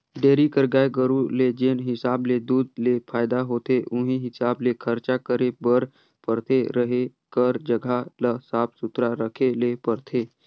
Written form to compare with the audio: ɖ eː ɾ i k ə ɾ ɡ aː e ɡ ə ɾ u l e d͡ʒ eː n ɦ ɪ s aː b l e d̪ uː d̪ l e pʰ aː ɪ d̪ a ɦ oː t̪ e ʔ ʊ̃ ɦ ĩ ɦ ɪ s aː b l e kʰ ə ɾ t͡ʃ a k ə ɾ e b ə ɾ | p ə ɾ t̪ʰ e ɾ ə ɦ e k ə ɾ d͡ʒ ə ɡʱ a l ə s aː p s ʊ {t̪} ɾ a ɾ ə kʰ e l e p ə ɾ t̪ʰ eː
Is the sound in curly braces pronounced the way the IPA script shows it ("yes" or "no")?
yes